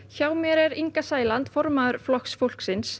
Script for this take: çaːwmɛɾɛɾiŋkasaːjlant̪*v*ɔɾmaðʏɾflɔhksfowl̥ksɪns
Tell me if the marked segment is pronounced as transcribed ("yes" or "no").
no